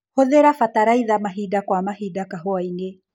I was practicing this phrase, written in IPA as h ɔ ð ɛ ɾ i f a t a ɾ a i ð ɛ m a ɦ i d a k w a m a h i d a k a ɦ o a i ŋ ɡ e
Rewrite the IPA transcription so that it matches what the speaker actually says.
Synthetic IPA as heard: h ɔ ð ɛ ɾ a f a t a ɾ a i ð a m a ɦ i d a k w a m a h i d a k a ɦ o a i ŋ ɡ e